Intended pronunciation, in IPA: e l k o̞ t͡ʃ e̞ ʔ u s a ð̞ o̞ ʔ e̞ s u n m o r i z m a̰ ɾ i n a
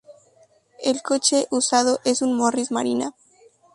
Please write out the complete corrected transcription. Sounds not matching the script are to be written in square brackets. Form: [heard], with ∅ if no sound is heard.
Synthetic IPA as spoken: e l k o̞ t͡ʃ e̞ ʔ u s a ð̞ o̞ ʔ e̞ s u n m o r i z m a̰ ɾ i n a

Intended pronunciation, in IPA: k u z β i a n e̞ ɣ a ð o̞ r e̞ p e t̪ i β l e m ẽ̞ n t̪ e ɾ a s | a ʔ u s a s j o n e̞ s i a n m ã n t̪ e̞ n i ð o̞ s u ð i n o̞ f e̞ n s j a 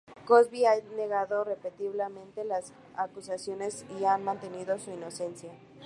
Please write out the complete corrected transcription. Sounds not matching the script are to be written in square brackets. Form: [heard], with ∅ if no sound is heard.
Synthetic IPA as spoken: k [o] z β i a n e̞ ɣ a ð o̞ r e̞ p e t̪ i β l e m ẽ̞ n t̪ e [l] a s | a [k] u s a s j o n e̞ s i a n m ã n t̪ e̞ n i ð o̞ s u [∅] i n o̞ [s] e̞ n s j a

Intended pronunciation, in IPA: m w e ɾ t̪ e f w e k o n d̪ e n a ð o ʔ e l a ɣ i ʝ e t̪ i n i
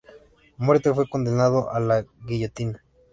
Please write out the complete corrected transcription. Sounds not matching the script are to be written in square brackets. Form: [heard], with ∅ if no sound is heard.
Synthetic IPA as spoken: m w e ɾ t̪ e f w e k o n d̪ e n a ð o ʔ [a] l a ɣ i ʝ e t̪ i n [a]

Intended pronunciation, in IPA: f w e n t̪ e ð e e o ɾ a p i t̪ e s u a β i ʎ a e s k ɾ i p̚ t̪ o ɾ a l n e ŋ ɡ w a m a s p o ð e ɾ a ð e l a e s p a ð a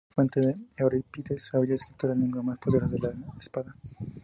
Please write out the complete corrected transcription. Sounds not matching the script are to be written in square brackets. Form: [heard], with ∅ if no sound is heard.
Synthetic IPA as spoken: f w e n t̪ e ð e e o ɾ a p i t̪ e s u a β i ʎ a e s k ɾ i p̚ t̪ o ɾ a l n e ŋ ɡ w a m a s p o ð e ɾ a ð e l a e s p a ð a

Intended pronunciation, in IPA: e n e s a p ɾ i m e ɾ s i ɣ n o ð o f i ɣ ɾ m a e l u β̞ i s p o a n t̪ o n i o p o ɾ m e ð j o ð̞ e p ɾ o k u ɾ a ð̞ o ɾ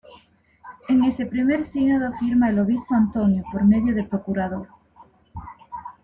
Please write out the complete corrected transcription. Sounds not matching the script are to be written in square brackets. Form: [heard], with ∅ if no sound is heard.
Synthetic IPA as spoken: e [ŋ] e s [e] p ɾ i m e ɾ s i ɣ n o ð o f i [∅] ɾ m a e l [o] β̞ i s p o a n t̪ o n [j] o p o ɾ m e ð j o ð̞ e p ɾ o k u ɾ a ð̞ o ɾ

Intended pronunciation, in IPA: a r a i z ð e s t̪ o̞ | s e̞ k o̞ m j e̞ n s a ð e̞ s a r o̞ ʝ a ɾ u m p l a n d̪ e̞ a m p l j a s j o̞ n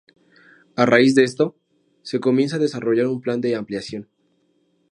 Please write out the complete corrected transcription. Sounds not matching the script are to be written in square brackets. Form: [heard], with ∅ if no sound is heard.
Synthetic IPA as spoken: a r a i z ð e s t̪ o̞ | s e̞ k o̞ m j e̞ n s a ð e̞ s a r o̞ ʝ a ɾ u m p l a n d̪ e̞ a m p l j a s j o̞ n

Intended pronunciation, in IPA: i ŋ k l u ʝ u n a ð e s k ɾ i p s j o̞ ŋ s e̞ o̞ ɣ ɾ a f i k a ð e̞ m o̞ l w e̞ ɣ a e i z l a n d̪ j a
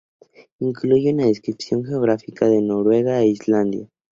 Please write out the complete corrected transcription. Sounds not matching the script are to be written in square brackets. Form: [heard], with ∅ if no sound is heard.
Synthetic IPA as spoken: i ŋ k l u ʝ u n a ð e s k ɾ i p s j o̞ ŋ [x] e̞ o̞ ɣ ɾ a f i k a ð e̞ [n] o̞ [ɾ] w e̞ ɣ a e i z l a n d̪ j a

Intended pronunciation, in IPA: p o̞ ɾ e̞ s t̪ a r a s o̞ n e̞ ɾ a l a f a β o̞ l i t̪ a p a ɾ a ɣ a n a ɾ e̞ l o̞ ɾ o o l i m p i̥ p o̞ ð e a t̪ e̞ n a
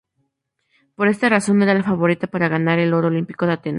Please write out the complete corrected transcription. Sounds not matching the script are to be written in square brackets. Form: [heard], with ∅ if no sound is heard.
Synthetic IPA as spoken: p o̞ ɾ e̞ s t̪ a r a s o̞ n e̞ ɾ a l a f a β o̞ [ɾ] i t̪ a p a ɾ a ɣ a n a ɾ e̞ l o̞ ɾ o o l i m p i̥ [k] o̞ ð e a t̪ e̞ n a

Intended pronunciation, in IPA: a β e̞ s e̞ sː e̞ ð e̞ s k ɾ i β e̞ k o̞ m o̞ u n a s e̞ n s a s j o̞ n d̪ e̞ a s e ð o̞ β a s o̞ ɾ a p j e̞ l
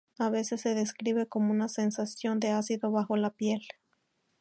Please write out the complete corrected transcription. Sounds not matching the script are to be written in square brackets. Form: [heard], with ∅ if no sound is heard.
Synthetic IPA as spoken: a β e̞ s e̞ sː e̞ ð e̞ s k ɾ i β e̞ k o̞ m o̞ u n a s e̞ n s a s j o̞ n d̪ e̞ a s [i] ð o̞ β a [x] o̞ [l] a p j e̞ l

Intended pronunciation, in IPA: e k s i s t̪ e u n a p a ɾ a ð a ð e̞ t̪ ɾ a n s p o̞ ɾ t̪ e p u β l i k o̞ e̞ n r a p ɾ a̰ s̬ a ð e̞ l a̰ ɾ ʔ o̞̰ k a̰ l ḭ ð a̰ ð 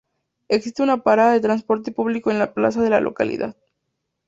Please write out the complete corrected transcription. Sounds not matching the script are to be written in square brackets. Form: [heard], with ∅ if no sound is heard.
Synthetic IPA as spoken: e k s i s t̪ e u n a p a ɾ a ð a ð e̞ t̪ ɾ a n s p o̞ ɾ t̪ e p u β l i k o̞ e̞ n [l] a p [l] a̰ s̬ a ð e̞ l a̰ [l] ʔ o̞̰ k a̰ l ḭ ð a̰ ð

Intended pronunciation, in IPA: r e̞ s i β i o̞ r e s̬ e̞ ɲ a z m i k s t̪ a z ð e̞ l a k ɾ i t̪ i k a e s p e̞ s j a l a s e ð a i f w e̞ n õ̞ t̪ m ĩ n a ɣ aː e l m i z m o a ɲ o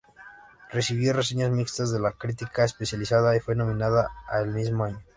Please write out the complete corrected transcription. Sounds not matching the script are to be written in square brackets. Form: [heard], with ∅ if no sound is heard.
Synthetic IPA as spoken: r e̞ s i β [j] o̞ r e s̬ e̞ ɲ a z m i k s t̪ a z ð e̞ l a k ɾ i t̪ i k a e s p e̞ s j a l [i] s [a] ð a i f w e̞ n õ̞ [∅] m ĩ n a [ð] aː e l m i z m o a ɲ o

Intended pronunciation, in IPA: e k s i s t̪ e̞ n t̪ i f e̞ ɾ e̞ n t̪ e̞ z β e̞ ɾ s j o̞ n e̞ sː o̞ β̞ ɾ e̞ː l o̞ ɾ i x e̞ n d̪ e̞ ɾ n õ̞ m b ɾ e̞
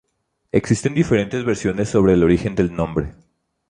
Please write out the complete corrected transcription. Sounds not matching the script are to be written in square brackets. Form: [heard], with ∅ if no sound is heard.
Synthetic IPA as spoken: e k s i s t̪ e̞ n [d̪] i f e̞ ɾ e̞ n t̪ e̞ z β e̞ ɾ s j o̞ n e̞ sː o̞ β̞ ɾ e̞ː l o̞ ɾ i x e̞ n d̪ e̞ [l] n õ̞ m b ɾ e̞

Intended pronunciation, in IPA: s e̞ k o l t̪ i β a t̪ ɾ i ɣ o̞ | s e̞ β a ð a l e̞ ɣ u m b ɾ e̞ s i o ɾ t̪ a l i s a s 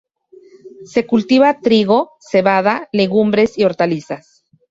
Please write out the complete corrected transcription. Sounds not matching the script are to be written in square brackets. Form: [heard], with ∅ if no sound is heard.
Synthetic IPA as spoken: s e̞ k [u] l t̪ i β a t̪ ɾ i ɣ o̞ | s e̞ β a ð a l e̞ ɣ u m b ɾ e̞ s i o ɾ t̪ a l i s a s

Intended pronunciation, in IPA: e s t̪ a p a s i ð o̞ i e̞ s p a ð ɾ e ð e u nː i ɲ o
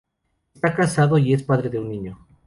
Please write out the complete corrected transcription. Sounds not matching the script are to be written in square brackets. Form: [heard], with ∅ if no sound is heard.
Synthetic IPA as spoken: e s t̪ a [k] a s [a] ð o̞ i e̞ s p a ð ɾ e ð e u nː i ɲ o

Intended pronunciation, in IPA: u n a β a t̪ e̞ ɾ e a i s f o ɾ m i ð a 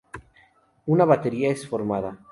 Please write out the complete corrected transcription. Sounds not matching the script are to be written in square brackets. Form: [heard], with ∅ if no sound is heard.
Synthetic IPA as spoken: u n a β a t̪ e̞ ɾ [i] a [e] s f o ɾ m [a] ð a

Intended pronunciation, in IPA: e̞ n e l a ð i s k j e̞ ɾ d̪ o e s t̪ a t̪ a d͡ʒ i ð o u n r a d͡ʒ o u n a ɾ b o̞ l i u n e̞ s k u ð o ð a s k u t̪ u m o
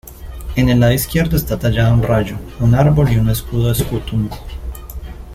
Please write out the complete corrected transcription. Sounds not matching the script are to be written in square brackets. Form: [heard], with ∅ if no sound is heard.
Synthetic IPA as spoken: e̞ n e l a ð i s k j e̞ ɾ d̪ o e s t̪ a t̪ a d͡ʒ [a] ð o u n r a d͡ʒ o u n a ɾ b o̞ l i u n e̞ s k u ð o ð [e] s k u t̪ u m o

